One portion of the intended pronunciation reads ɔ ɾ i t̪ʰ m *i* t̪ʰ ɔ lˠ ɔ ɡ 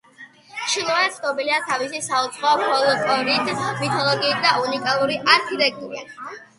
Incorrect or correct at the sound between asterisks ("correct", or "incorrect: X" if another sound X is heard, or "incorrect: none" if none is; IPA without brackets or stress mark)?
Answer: correct